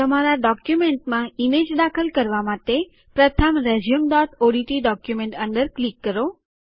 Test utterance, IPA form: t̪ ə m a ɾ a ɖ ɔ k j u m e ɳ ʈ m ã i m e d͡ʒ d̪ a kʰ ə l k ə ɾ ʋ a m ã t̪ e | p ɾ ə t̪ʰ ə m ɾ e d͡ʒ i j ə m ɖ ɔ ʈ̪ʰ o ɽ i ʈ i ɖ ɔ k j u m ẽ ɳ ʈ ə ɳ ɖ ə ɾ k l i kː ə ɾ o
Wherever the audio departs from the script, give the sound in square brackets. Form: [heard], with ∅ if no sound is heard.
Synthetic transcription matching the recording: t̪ ə m a ɾ a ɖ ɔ k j u m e ɳ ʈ m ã i m e d͡ʒ d̪ a kʰ ə l k ə ɾ ʋ a m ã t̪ e | p ɾ ə t̪ʰ ə m ɾ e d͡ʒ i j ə m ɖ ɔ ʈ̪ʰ o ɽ i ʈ i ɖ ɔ k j u m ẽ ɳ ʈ ə ɳ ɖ ə ɾ k l i kː ə ɾ o